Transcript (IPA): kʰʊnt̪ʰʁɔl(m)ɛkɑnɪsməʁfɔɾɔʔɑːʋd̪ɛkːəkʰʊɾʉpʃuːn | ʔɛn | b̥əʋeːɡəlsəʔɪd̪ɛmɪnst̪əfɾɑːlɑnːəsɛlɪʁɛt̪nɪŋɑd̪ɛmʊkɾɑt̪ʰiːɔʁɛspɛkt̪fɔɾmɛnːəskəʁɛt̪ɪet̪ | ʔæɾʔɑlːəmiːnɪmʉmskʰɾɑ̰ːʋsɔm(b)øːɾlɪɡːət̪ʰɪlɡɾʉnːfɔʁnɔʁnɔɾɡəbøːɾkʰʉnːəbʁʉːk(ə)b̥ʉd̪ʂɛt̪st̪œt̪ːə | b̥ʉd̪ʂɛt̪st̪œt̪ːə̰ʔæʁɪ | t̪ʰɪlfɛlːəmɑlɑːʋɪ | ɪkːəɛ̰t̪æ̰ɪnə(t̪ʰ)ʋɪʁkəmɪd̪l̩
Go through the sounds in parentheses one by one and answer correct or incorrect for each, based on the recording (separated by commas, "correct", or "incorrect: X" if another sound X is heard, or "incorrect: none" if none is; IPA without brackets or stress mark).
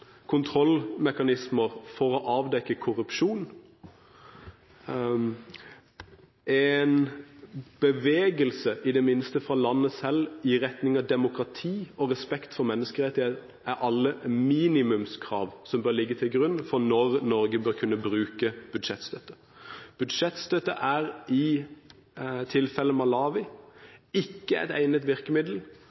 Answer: correct, correct, correct, incorrect: t̪